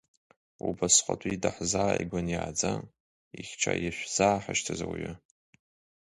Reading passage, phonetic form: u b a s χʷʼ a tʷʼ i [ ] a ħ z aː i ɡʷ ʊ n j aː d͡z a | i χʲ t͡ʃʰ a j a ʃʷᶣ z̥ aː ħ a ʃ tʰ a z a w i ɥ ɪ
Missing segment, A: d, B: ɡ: A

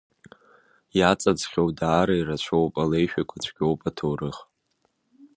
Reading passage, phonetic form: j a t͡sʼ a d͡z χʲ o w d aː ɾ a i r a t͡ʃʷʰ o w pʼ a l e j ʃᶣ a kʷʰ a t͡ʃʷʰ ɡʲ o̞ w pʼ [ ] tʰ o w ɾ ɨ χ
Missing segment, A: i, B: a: B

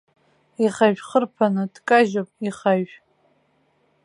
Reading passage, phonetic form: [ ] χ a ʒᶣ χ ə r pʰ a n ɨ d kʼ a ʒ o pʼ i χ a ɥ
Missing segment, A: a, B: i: B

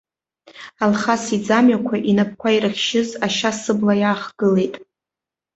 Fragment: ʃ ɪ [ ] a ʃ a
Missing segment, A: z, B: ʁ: A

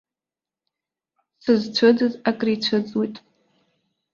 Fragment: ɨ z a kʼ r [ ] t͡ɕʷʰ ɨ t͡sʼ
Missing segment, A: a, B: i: B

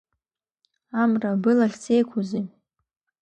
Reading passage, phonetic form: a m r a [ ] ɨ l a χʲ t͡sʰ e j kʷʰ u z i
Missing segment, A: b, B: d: A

